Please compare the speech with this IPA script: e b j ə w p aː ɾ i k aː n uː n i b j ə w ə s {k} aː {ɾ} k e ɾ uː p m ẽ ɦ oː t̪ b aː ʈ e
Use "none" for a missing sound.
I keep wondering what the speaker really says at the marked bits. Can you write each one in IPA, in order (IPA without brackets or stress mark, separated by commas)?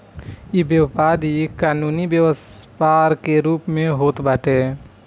p, ɾ